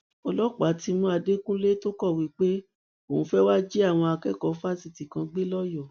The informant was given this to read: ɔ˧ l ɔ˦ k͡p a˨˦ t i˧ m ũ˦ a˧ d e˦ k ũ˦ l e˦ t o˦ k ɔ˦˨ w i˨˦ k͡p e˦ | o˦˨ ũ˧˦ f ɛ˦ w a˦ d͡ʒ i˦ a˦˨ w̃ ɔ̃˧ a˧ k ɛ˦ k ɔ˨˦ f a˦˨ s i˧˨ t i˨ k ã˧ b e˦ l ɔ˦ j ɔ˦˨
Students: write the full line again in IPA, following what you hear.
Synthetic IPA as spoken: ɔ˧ l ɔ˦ k͡p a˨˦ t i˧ m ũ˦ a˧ d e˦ k ũ˦ l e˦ t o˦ k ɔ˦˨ w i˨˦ k͡p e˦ | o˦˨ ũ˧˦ f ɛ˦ w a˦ d͡ʒ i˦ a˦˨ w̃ ɔ̃˧ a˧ k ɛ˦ k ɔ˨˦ f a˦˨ s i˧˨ t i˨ k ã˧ ɡ͡b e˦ l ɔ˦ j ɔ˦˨